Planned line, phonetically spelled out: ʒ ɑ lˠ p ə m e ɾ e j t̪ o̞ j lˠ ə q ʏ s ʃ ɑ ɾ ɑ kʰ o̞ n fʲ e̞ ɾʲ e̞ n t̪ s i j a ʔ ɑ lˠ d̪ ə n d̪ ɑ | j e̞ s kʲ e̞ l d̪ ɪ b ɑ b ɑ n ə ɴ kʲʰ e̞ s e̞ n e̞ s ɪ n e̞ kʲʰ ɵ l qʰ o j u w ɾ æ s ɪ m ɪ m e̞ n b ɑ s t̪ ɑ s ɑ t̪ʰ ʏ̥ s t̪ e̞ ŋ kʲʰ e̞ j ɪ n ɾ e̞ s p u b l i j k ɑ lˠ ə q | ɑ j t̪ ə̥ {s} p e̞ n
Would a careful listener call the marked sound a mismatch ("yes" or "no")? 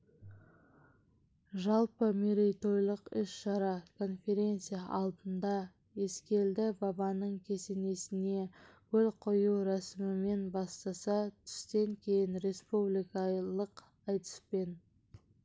no